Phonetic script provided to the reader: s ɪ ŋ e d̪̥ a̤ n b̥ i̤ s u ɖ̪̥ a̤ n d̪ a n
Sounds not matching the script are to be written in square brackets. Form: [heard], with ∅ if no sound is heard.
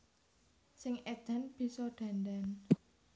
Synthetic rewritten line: s ɪ ŋ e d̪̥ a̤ n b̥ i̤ s [ɔ] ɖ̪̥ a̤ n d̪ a n